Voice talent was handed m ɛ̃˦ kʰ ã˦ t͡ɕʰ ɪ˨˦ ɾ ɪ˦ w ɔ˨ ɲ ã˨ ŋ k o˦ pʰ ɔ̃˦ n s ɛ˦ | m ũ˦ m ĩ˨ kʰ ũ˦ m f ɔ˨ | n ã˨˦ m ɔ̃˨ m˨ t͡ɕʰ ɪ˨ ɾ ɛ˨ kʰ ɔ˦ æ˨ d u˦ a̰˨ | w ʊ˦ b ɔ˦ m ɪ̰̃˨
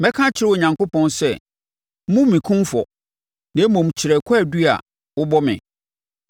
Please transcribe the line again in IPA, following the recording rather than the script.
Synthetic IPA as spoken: m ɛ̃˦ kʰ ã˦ t͡ɕʰ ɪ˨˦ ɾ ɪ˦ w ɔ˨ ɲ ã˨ ŋ k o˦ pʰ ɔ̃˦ n s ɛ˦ | m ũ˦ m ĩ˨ kʰ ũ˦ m f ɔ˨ | n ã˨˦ m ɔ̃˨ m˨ t͡ɕʰ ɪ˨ ɾ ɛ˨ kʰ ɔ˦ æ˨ d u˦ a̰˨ | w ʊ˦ b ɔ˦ m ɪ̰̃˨

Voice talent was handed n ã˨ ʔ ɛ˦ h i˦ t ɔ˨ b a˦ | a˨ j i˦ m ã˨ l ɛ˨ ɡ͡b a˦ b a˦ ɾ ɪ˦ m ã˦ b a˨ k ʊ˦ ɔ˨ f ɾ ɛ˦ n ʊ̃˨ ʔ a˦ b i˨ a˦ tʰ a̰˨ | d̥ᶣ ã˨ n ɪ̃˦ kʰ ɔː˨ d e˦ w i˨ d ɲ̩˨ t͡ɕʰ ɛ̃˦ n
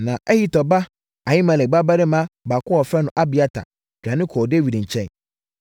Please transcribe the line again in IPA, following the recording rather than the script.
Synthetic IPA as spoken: n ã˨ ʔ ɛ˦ h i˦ t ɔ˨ b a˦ | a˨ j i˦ m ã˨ l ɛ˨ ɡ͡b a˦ b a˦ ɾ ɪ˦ m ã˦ b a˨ k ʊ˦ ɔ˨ f ɾ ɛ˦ n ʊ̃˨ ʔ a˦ b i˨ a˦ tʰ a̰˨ | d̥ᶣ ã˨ n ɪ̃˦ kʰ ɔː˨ d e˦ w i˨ d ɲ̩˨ t͡ɕʰ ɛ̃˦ n

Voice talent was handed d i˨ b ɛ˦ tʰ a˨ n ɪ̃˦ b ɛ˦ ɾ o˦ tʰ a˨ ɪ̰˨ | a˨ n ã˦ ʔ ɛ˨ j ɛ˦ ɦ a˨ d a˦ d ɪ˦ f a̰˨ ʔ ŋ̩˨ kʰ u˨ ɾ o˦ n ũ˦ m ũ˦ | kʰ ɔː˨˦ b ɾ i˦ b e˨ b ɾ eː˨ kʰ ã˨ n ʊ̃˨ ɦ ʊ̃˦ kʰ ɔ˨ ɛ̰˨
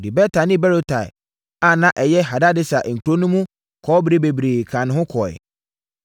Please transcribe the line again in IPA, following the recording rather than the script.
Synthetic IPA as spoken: d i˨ b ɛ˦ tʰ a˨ n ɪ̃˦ b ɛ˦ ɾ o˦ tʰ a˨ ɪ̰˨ | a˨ n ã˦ ʔ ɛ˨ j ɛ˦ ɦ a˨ d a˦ d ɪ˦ s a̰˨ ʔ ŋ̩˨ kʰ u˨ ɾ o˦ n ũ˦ m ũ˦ | kʰ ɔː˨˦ b ɾ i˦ b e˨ b ɾ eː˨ kʰ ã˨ n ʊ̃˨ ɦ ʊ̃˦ kʰ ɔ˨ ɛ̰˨

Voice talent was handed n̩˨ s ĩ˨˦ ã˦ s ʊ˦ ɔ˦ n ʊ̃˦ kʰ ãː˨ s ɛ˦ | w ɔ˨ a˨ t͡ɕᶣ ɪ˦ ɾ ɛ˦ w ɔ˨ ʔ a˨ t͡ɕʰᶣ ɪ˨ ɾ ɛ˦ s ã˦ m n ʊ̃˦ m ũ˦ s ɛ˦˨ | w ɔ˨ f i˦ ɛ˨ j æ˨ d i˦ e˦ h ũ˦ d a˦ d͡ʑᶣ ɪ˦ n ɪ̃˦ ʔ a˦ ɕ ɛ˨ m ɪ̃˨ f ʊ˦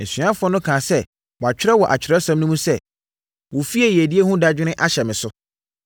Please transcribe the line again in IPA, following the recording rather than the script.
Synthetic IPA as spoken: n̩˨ s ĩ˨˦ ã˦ f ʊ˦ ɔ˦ n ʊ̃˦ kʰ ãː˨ s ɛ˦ | w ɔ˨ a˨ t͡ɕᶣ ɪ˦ ɾ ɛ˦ w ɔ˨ ʔ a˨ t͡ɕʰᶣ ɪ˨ ɾ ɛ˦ s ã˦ m n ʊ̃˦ m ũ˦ s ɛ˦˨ | w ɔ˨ f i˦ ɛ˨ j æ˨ d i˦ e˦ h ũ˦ d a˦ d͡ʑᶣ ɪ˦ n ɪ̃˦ ʔ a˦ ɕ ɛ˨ m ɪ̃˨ s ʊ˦

